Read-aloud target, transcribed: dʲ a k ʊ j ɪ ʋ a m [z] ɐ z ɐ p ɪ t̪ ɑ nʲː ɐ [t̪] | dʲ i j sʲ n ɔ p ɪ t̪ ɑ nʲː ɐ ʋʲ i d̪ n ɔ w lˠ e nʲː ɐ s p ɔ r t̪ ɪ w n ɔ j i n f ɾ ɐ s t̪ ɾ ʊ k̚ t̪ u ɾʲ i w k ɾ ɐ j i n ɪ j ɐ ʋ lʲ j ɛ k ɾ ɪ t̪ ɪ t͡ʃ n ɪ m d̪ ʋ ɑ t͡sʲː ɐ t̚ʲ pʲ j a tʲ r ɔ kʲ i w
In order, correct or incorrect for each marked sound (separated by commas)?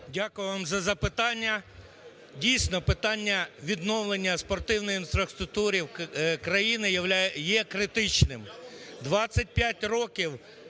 correct, incorrect